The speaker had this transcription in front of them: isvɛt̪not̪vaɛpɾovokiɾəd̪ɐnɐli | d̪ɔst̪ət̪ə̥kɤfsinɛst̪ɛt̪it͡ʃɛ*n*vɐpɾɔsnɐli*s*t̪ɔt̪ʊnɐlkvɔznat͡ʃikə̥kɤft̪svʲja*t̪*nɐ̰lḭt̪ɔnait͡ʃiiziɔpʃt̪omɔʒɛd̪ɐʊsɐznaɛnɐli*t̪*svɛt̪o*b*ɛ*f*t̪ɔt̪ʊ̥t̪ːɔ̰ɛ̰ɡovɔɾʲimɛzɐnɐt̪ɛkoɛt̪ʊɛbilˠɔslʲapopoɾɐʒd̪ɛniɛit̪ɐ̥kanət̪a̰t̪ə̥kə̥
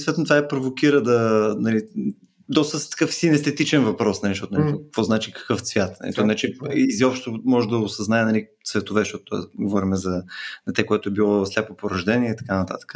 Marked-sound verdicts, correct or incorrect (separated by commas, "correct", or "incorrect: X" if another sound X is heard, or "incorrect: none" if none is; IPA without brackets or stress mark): correct, incorrect: ʃ, correct, correct, incorrect: v, incorrect: ʃ